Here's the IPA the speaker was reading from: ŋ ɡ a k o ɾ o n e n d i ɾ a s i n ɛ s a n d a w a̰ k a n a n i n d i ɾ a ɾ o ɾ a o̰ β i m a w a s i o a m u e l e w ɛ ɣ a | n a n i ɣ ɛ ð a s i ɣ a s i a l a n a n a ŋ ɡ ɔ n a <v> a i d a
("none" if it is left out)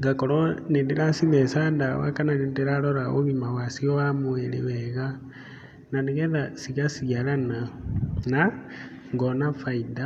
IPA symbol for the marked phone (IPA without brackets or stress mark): f